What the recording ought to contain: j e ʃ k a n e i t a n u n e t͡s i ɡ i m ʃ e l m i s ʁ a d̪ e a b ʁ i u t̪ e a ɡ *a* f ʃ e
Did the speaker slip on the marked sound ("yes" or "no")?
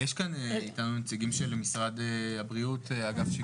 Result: no